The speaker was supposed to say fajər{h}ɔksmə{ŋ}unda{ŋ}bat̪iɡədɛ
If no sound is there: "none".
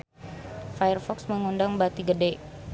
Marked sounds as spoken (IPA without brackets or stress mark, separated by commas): f, ŋ, ŋ